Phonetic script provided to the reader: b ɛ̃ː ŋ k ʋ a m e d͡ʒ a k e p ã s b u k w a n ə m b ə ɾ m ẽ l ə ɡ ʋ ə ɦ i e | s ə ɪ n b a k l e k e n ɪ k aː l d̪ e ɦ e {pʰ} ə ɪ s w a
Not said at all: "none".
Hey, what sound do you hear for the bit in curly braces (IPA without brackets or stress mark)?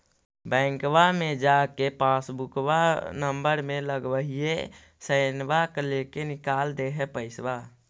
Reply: p